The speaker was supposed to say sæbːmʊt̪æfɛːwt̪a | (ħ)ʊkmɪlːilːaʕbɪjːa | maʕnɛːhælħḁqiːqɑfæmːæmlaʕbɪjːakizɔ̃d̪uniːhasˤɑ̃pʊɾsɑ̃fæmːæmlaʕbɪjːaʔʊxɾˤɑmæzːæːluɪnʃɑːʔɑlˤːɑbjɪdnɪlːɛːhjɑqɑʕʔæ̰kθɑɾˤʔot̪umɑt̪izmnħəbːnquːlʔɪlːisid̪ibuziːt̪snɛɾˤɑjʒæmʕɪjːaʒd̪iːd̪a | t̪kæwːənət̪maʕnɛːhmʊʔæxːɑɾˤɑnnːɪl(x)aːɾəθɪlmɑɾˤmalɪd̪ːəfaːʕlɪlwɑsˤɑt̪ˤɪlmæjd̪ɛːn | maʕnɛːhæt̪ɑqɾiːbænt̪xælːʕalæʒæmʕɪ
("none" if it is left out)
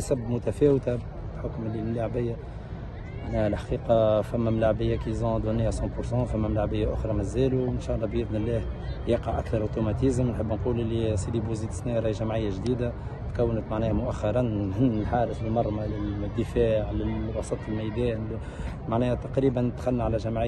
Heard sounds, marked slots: ħ, ħ

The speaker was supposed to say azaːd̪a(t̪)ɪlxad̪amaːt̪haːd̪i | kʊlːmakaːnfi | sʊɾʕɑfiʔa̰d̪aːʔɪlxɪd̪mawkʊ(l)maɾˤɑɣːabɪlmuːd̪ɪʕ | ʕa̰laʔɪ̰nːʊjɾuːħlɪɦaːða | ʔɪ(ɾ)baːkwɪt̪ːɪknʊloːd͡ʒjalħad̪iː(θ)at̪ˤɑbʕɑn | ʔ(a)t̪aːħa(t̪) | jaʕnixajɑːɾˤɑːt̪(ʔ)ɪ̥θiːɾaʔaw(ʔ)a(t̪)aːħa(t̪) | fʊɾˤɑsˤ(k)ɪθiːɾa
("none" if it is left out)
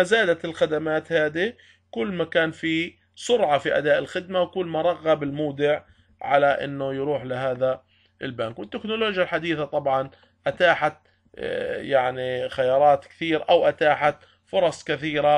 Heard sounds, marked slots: t̪, lː, l, θ, a, t̪, k, ʔ, t̪, t̪, k

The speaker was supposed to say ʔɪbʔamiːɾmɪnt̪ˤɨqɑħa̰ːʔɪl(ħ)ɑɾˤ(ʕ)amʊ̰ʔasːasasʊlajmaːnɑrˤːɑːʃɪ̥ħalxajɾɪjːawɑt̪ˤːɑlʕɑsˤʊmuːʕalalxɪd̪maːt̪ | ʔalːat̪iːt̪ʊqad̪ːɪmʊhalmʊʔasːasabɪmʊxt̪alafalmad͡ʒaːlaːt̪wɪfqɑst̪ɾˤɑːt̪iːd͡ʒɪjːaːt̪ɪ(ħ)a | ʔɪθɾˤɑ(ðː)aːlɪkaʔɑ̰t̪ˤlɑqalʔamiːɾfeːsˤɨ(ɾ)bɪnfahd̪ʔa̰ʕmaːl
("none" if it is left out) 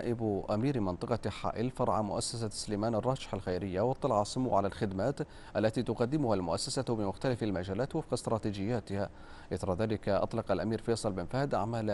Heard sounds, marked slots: f, ʕ, h, ð, l

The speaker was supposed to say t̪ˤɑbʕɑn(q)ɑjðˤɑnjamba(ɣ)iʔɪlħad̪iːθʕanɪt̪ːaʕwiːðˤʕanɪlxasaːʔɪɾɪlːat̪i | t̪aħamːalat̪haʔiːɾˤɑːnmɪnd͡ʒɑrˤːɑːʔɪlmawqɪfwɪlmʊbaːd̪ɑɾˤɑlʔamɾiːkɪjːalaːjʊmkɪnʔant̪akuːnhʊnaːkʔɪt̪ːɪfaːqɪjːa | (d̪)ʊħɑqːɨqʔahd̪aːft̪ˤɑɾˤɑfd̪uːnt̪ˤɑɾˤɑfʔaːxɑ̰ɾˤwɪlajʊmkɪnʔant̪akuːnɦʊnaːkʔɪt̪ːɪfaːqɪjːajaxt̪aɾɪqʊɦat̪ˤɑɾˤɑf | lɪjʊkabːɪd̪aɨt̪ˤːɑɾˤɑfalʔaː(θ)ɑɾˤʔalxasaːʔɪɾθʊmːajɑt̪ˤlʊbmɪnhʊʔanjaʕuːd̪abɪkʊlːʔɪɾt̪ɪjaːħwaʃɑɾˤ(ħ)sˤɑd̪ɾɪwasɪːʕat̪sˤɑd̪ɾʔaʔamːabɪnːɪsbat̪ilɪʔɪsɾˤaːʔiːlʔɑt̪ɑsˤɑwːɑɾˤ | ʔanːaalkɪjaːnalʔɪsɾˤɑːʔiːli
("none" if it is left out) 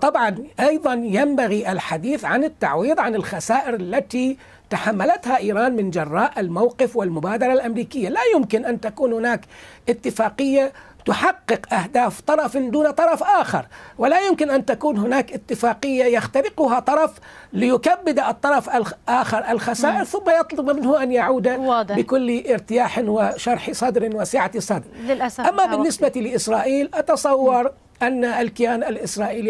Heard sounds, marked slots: ʔ, ɣ, t̪, x, ħ

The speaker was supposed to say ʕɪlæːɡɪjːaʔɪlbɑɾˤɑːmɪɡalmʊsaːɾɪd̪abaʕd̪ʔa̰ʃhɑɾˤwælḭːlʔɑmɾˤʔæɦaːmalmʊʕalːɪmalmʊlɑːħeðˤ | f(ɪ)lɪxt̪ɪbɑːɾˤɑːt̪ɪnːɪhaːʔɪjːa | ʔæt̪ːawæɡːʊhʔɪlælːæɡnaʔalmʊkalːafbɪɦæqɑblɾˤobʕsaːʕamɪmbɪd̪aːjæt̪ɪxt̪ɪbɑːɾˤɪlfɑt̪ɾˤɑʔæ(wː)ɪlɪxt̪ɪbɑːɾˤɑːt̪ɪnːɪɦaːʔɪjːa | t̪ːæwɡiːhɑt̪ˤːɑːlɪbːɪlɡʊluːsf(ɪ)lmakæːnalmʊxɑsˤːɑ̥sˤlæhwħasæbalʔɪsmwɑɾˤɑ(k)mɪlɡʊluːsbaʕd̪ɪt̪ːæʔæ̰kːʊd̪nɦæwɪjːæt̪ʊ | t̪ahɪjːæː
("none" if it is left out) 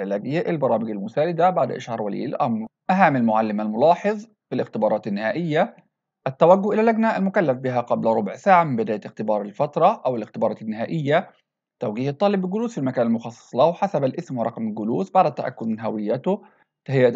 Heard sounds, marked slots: i, w, i, q

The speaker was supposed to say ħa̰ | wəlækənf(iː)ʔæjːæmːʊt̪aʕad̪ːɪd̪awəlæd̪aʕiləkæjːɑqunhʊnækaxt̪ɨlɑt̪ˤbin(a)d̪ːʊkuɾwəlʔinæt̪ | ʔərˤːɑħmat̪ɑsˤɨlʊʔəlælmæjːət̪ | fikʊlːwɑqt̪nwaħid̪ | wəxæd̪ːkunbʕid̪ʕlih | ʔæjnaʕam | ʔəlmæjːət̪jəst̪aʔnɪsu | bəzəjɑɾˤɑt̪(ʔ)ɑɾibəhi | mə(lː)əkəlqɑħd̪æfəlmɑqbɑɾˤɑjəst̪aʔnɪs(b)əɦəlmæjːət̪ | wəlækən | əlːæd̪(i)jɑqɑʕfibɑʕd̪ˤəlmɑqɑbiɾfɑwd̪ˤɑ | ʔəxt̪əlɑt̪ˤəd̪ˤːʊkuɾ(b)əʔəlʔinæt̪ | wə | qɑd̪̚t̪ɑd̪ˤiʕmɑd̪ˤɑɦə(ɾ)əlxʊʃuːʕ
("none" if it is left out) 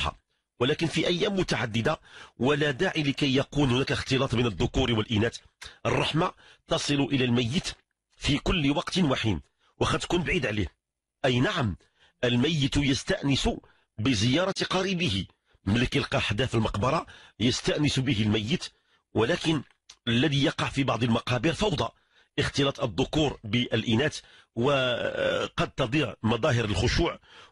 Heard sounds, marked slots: i, ə, q, l, b, i, b, ɾ

